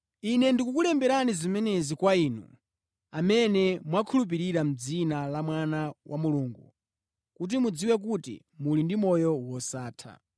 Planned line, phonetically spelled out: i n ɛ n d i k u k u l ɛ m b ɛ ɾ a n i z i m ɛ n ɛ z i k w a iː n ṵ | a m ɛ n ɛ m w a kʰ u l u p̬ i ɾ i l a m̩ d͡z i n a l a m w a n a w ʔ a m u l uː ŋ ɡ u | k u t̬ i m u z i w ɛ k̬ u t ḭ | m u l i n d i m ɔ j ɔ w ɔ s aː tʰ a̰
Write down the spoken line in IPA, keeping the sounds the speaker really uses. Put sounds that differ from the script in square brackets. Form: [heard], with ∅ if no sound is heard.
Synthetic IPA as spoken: i n ɛ n d i k u k u l ɛ m b ɛ ɾ a n i z i m ɛ n ɛ z i k w a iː n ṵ | a m ɛ n ɛ m w a kʰ u l u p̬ i ɾ i [ɾ] a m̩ d͡z i n a l a m w a n a w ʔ a m u l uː ŋ ɡ u | k u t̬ i m u [d͡z] i w ɛ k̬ u t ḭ | m u l i n d i m ɔ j ɔ w ɔ s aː tʰ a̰